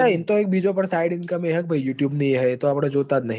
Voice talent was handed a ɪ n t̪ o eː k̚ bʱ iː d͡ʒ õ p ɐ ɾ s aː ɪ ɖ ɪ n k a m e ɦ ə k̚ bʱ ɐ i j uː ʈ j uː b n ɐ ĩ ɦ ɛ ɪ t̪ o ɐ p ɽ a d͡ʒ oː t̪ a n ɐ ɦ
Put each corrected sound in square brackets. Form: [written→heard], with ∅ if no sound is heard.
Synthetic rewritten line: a ɪ n t̪ o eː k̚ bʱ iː d͡ʒ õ p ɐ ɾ s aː ɪ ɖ ɪ n k a m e ɦ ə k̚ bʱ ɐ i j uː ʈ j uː b n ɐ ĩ ɦ ɛ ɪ t̪ o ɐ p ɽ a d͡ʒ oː t̪ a n ɐ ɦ

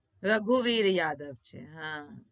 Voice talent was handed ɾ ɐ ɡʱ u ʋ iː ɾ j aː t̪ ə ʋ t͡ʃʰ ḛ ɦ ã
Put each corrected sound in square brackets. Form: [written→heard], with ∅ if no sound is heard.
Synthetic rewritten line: ɾ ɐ ɡʱ u ʋ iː ɾ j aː [t̪→d̪] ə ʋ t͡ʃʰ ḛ ɦ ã

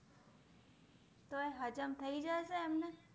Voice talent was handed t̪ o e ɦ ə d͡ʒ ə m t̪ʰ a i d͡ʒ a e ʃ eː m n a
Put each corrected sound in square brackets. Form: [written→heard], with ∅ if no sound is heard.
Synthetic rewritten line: t̪ o e ɦ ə d͡ʒ ə m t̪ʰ [a→ə] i d͡ʒ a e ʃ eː m n [a→e]

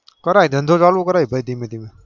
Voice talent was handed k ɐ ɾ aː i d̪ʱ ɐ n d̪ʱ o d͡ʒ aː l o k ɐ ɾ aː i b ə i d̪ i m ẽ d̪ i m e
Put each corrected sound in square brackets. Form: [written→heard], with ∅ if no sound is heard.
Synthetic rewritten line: k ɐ ɾ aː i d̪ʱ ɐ n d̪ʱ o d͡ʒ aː l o k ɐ ɾ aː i b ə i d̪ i m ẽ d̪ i m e

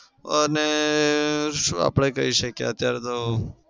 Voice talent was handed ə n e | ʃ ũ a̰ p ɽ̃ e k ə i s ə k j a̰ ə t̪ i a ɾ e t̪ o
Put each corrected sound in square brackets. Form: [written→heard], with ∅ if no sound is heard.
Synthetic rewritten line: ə n e | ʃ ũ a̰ p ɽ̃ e k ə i [s→ʃ] ə k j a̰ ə t̪ [i→j] a ɾ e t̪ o

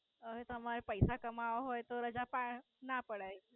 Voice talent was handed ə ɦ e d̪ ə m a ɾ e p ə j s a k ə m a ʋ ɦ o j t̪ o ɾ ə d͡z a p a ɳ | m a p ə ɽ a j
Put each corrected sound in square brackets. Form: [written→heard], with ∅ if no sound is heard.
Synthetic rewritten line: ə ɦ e [d̪→t̪] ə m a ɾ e p ə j s a k ə m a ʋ ɦ o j t̪ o ɾ ə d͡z a p a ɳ | [m→n] a p ə ɽ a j

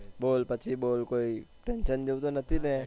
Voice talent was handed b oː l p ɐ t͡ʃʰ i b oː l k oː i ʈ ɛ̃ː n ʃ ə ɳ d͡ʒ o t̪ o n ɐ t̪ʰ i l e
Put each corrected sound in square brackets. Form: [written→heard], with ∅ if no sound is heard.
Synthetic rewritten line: b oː l p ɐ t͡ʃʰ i b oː l k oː i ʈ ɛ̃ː n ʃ ə [ɳ→n] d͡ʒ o t̪ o n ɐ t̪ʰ i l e

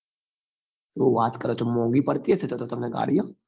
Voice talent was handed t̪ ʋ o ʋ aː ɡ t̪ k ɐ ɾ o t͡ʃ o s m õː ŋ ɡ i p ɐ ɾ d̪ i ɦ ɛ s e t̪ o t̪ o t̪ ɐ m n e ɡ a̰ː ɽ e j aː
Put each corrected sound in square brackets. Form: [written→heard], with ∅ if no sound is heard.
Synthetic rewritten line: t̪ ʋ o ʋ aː [ɡ→∅] t̪ k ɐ ɾ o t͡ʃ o [s→∅] m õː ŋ ɡ i p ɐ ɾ [d̪→t̪] i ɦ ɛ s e t̪ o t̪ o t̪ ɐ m n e ɡ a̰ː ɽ [e→i] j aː

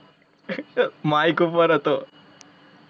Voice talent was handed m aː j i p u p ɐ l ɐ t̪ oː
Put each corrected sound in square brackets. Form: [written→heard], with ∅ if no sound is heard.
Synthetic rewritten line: m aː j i [p→k] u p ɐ [l→ɾ] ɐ t̪ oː

